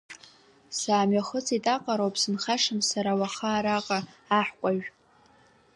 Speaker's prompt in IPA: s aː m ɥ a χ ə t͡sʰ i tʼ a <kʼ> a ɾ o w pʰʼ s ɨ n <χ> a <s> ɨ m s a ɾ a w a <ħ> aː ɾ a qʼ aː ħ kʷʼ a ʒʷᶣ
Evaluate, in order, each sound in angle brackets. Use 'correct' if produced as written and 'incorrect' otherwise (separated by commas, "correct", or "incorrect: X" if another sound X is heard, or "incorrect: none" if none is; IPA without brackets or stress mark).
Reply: incorrect: qʼ, correct, incorrect: ʂ, incorrect: χ